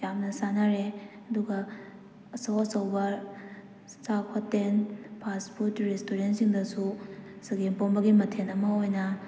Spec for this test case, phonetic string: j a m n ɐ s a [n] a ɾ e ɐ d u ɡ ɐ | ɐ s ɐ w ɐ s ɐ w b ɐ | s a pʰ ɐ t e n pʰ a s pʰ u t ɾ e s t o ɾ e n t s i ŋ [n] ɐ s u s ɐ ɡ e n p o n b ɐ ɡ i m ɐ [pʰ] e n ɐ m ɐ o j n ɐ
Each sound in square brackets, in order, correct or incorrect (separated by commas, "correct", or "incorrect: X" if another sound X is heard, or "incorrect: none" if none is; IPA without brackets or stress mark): correct, incorrect: d, incorrect: tʰ